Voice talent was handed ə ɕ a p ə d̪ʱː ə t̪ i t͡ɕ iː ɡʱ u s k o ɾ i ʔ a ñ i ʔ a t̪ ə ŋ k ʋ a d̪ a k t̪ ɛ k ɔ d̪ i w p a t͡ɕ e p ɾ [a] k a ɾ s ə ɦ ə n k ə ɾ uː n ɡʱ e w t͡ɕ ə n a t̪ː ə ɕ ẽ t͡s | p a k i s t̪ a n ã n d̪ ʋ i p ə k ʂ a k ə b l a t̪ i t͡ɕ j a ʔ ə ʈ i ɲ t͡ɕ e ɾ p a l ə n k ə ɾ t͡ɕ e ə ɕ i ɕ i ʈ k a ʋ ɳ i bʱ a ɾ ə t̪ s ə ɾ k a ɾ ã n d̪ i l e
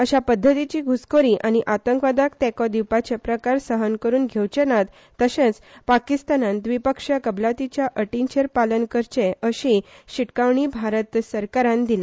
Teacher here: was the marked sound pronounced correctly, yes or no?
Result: no